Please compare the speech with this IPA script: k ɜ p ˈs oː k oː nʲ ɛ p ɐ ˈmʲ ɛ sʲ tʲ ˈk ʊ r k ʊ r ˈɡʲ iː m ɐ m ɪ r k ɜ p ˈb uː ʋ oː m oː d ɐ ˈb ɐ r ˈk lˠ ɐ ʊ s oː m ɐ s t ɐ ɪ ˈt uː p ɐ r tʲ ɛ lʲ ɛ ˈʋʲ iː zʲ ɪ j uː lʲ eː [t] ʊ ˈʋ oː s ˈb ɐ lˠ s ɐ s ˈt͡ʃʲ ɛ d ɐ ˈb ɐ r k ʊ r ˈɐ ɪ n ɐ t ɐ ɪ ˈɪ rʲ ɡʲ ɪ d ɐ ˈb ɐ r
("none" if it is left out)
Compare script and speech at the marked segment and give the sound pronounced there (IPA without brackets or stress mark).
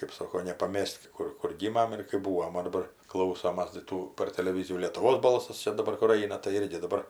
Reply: t